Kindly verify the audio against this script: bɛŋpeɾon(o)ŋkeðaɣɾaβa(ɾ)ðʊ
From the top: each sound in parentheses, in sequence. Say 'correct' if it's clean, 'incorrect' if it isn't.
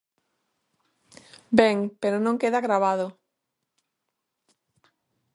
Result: incorrect, incorrect

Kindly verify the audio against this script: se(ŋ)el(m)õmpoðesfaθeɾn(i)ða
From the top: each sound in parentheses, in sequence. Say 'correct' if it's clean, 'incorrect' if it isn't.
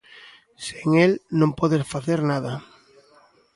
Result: correct, incorrect, incorrect

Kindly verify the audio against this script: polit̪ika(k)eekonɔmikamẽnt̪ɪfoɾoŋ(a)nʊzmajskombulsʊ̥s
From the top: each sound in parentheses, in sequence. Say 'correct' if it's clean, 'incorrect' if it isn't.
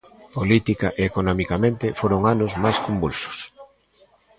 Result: incorrect, correct

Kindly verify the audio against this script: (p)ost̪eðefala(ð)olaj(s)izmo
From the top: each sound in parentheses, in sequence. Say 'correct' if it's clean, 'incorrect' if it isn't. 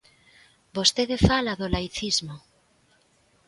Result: incorrect, correct, incorrect

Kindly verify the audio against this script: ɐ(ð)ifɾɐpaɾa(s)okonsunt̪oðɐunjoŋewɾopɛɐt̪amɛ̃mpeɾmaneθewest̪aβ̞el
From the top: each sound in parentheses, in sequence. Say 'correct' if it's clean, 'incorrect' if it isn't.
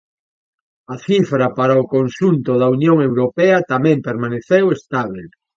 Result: incorrect, incorrect

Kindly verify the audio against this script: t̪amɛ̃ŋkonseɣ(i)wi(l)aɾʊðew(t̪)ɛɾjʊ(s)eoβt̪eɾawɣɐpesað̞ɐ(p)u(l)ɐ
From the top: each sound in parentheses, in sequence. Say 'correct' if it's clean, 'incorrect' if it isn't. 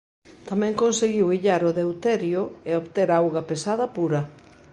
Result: correct, incorrect, correct, incorrect, correct, incorrect

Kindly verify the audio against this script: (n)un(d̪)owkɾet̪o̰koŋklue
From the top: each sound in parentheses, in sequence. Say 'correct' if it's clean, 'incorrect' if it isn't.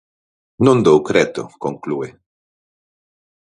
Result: correct, correct

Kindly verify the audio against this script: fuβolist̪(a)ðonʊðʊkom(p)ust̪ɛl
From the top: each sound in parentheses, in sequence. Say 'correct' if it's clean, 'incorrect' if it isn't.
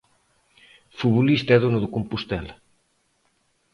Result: incorrect, correct

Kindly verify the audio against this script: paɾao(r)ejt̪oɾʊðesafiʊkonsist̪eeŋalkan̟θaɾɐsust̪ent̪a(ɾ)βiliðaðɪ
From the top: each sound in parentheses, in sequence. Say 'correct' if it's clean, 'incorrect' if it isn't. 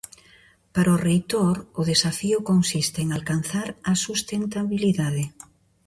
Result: correct, incorrect

